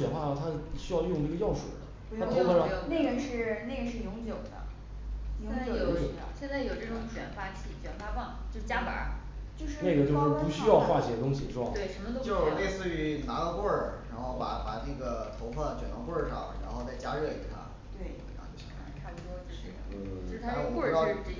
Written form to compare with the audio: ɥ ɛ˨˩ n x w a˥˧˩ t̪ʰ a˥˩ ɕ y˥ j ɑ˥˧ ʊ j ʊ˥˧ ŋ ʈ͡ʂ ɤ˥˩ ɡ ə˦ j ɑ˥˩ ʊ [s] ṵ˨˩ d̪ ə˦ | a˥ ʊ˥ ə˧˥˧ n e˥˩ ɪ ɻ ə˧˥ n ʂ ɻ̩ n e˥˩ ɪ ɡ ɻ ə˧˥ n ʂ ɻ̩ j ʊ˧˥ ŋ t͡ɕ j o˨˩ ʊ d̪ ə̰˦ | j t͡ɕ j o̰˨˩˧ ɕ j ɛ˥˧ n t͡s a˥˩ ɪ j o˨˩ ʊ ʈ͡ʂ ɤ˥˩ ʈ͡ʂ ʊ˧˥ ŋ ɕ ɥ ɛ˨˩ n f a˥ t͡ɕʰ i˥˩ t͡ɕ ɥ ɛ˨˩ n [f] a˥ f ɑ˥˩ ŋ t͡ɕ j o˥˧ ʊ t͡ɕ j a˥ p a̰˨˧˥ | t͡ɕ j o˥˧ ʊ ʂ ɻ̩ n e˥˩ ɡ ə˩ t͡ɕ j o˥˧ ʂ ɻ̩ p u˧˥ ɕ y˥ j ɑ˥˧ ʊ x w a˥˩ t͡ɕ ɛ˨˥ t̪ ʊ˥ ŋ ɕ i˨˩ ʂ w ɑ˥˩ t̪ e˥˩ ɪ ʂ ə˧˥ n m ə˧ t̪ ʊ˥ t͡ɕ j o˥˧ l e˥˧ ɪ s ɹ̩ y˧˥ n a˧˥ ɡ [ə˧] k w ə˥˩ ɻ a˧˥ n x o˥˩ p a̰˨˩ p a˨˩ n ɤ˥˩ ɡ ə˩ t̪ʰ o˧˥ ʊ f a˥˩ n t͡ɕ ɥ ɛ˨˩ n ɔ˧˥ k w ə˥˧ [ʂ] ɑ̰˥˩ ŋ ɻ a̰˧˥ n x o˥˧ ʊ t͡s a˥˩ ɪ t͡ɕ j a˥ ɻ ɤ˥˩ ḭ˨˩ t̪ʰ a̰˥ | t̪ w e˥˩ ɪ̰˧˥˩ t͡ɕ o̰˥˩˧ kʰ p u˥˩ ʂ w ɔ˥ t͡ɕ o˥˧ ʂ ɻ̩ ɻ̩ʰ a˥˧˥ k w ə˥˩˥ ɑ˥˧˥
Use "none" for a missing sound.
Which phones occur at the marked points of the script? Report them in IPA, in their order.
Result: ʂ, f, ə˧, ʂ

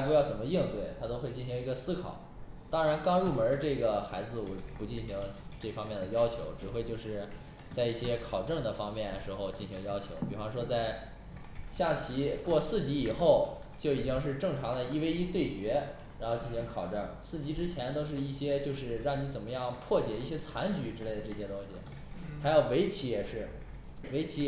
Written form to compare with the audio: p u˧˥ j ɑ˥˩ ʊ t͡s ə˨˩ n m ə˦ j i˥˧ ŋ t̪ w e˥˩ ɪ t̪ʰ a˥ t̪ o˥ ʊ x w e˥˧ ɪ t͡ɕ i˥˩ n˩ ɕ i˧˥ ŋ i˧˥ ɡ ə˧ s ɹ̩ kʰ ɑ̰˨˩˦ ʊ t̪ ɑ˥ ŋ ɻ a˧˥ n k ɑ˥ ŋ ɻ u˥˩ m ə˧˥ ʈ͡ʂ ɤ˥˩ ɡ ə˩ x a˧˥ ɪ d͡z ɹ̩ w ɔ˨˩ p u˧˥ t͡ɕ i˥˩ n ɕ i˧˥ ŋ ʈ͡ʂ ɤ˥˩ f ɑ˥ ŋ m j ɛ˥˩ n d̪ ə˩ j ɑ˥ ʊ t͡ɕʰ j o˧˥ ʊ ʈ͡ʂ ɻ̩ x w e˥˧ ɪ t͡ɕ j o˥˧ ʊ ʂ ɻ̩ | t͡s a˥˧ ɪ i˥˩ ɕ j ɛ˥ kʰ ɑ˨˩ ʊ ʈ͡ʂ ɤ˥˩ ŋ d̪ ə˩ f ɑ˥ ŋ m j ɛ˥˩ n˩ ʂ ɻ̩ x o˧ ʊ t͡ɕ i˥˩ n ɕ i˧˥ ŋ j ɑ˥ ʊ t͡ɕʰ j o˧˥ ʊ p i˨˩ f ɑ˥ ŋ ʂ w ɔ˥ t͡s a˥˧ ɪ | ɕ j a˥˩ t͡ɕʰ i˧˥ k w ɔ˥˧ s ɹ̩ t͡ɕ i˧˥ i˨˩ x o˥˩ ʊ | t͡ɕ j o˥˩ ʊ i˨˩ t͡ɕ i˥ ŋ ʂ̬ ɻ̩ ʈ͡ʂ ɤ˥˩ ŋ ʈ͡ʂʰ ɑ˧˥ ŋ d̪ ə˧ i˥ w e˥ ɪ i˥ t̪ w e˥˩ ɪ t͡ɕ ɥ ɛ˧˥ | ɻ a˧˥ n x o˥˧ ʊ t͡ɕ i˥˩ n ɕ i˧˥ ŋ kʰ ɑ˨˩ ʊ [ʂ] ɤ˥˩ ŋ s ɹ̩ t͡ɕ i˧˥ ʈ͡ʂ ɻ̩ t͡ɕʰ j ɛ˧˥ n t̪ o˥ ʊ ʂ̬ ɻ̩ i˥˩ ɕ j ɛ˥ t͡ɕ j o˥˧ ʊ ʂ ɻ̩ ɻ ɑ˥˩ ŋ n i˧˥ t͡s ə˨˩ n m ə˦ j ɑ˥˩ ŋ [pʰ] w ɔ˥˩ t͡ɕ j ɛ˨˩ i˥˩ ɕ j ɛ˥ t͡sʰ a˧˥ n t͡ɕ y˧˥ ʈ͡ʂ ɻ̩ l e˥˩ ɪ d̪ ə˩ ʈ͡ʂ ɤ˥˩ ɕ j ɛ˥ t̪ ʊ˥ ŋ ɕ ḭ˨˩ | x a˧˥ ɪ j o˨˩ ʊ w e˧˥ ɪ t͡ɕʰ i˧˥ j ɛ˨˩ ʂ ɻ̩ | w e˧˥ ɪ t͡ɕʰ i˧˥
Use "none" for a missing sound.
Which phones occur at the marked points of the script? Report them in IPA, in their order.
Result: ʈ͡ʂ, pʰ

